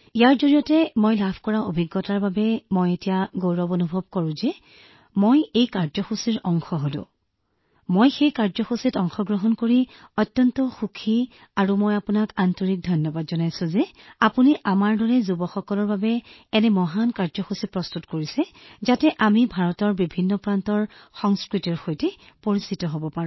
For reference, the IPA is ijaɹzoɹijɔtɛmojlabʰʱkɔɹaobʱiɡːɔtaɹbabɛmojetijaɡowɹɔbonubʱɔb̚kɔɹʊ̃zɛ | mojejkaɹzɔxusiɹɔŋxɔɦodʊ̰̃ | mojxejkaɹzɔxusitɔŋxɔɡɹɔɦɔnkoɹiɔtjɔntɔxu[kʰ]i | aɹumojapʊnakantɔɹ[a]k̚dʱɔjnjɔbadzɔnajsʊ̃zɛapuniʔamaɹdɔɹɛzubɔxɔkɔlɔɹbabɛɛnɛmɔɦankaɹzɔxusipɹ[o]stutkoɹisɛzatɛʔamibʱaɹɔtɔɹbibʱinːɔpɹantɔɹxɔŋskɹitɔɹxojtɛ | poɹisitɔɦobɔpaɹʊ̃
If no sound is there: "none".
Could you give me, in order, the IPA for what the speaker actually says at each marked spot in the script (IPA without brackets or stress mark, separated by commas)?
kʰ, i, ɔ